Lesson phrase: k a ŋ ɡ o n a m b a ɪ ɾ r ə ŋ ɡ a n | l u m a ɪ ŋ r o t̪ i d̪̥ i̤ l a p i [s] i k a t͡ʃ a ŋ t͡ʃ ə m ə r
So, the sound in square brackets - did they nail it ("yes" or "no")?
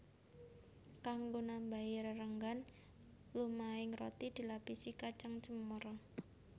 yes